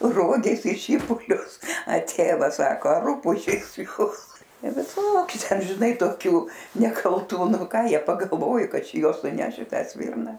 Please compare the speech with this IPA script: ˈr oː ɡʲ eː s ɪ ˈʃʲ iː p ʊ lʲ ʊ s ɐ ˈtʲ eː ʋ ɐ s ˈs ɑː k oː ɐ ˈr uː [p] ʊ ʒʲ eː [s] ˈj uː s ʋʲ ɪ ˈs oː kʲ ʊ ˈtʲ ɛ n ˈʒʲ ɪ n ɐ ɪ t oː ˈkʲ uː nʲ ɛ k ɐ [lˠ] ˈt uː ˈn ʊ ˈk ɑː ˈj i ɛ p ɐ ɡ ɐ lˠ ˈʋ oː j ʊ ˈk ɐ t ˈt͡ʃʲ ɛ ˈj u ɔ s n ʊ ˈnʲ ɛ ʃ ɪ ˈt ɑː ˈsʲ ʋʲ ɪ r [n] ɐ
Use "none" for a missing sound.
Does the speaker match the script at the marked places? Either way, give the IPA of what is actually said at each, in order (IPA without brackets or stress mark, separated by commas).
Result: p, s, lˠ, n